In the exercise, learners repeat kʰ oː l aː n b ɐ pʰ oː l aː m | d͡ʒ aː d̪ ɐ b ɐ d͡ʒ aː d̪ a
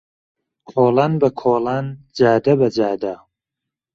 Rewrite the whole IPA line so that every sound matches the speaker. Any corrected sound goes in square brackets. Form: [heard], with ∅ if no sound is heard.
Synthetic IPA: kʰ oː l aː n b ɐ [kʰ] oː l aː [n] | d͡ʒ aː d̪ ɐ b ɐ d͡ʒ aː d̪ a